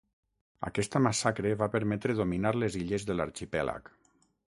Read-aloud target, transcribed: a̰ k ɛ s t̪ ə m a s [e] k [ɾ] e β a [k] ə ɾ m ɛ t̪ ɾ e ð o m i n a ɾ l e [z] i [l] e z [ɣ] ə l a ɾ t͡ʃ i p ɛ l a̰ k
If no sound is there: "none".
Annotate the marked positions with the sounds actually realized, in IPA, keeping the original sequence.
a, ɾ, p, z, ʎ, ð

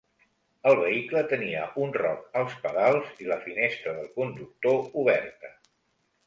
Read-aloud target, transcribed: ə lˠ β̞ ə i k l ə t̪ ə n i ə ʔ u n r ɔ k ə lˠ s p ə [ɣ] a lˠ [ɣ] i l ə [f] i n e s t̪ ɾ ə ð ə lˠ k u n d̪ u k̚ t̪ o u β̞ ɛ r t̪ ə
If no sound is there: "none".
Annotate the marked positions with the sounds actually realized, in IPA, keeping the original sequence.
ð, z, f

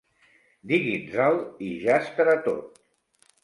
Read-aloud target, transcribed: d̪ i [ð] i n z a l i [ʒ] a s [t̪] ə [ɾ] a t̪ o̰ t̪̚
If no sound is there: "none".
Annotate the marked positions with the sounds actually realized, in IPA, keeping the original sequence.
ɣ, ʒ, t̪, ɾ

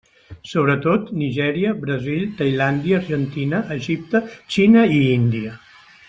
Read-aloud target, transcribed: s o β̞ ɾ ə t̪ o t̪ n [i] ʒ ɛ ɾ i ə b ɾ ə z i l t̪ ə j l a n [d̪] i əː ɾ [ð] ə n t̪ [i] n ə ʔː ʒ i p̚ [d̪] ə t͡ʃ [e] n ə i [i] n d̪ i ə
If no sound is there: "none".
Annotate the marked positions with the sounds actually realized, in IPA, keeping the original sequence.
i, d̪, ʒ, i, t̪, i, i

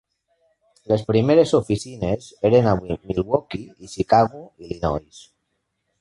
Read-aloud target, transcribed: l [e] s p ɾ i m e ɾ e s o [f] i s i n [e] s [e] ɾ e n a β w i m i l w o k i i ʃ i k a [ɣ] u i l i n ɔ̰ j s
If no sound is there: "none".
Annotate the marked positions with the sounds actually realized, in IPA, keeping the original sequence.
e, f, e, e, ɣ

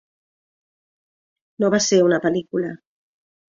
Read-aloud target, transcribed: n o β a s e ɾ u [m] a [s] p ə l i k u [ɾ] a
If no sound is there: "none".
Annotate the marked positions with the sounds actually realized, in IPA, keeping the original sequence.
n, none, l

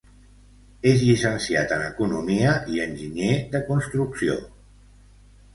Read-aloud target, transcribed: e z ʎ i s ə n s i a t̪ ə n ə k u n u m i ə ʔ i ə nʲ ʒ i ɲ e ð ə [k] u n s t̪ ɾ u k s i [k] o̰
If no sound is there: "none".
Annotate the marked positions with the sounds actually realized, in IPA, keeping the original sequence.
k, none

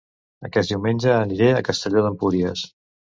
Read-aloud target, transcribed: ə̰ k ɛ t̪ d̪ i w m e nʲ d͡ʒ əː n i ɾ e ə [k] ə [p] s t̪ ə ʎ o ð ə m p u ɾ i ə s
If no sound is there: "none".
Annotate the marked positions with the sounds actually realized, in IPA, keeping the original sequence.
k, none

